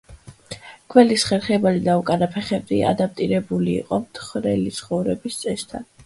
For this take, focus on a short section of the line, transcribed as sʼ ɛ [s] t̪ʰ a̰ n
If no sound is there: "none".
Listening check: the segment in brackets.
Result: s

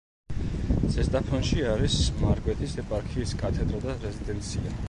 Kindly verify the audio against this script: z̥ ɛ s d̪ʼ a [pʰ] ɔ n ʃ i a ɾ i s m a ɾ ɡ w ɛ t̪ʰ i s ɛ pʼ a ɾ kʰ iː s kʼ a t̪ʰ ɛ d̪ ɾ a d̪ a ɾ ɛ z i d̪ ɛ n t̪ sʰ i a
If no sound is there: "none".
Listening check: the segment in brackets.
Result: pʰ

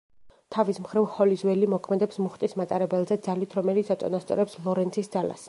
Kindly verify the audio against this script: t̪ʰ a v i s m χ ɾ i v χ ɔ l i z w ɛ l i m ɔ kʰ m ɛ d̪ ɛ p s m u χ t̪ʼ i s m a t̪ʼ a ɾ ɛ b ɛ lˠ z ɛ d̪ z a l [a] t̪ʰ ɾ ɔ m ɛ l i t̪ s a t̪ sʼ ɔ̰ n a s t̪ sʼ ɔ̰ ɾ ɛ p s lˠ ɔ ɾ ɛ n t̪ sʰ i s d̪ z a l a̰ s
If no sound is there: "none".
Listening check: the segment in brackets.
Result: i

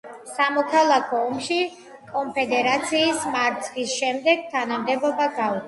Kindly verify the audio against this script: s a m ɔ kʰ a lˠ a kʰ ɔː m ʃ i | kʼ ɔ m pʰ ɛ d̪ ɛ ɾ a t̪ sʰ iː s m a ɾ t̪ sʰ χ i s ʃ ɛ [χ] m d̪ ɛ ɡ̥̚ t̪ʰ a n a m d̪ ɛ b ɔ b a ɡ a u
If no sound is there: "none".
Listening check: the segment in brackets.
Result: none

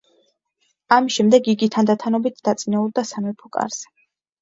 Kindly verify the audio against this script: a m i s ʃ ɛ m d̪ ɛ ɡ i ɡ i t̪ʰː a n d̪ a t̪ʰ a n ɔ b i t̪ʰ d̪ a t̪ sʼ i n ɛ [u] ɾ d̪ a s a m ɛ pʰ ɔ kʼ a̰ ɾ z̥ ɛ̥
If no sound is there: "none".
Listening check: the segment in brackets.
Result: u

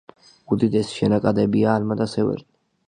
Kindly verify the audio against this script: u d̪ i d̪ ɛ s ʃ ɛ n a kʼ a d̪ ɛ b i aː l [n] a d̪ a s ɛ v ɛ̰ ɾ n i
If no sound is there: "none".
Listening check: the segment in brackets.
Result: m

